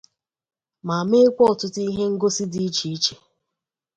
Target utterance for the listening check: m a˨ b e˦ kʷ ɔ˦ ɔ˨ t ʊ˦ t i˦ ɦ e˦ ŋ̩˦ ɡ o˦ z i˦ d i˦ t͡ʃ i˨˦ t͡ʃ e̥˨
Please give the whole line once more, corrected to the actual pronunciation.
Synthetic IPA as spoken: m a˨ m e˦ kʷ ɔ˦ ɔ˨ t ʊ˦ t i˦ ɦ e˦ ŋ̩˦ ɡ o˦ s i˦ d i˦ t͡ʃ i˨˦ t͡ʃ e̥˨